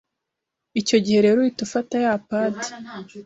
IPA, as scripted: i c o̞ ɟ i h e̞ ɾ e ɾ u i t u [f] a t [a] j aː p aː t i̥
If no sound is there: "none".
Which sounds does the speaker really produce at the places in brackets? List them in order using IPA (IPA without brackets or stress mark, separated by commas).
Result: f, a